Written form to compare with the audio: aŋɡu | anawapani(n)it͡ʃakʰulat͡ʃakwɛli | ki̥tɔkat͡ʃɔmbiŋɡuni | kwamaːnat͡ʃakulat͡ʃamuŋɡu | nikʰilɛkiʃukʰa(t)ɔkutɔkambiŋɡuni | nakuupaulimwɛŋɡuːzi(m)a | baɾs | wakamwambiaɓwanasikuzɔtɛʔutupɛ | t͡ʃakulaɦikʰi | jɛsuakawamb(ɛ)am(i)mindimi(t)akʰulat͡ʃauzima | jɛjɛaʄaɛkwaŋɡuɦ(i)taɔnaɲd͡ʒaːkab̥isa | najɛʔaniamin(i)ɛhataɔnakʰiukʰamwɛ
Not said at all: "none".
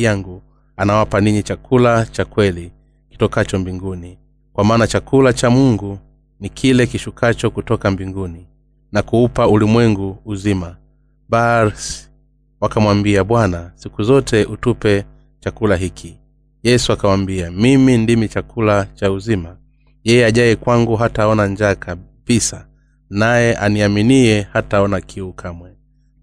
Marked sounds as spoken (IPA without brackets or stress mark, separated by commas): ɲ, t͡ʃ, m, i, i, t͡ʃ, a, i